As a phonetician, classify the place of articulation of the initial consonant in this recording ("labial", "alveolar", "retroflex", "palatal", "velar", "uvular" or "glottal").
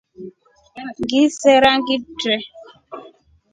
velar